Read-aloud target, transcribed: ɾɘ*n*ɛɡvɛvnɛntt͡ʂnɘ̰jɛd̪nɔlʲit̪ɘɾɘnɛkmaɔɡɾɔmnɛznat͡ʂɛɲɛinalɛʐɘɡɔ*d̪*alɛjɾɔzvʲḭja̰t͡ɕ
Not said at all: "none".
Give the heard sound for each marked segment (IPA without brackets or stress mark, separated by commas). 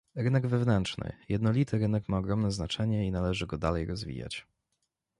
n, d̪